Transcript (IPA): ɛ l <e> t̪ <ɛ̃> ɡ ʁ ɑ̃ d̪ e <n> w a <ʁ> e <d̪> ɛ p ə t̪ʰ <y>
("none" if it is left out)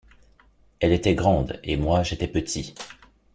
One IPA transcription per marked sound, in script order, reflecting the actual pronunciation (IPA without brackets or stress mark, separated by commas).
e, ɛ, m, ʒ, t̪, i